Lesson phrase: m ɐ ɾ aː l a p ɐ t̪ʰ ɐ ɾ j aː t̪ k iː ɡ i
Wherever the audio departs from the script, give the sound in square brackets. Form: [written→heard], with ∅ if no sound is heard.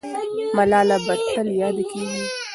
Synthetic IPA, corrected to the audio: m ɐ [ɾ→l] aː l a [p→b] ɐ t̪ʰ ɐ [ɾ→l] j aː [t̪→d̪] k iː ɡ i